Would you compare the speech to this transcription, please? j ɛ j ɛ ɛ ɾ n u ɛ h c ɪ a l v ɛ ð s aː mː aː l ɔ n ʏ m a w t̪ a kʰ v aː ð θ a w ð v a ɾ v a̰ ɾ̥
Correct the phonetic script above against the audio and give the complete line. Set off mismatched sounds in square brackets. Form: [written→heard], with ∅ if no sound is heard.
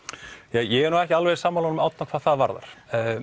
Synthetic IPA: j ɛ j ɛ ɛ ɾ n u ɛ h c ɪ a l v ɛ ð s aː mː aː l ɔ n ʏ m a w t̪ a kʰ v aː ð θ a [w→∅] ð v a ɾ [v→ð] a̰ ɾ̥